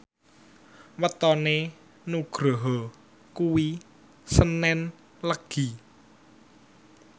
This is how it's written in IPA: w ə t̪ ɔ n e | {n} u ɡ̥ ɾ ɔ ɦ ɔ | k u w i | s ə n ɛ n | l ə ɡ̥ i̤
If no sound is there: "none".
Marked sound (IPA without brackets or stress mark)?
n